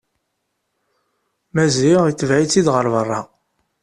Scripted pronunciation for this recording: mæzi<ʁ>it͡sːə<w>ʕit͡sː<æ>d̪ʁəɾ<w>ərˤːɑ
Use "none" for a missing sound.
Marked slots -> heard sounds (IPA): ʁ, v, i, v

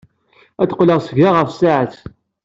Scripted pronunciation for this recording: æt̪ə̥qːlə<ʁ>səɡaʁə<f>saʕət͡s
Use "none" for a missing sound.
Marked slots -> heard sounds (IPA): ʁ, f

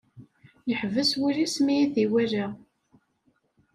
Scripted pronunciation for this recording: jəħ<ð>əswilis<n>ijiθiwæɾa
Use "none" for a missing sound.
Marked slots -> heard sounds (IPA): v, m

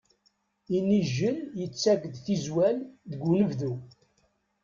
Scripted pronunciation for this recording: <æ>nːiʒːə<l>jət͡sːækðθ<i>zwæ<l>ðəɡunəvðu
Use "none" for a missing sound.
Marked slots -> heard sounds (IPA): i, l, i, l

